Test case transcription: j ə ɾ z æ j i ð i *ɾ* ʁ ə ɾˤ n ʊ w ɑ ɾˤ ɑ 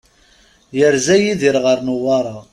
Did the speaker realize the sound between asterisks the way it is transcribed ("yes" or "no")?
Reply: yes